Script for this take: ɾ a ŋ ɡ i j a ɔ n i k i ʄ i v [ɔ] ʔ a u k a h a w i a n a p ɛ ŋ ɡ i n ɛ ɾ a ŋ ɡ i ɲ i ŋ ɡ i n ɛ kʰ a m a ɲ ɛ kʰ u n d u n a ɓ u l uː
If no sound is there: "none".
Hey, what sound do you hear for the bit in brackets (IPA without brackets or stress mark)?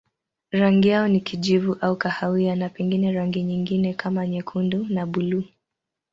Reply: u